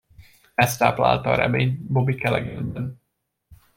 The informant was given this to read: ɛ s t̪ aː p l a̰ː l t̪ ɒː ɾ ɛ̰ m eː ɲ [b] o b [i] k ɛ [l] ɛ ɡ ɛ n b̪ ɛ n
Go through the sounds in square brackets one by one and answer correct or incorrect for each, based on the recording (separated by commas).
correct, correct, correct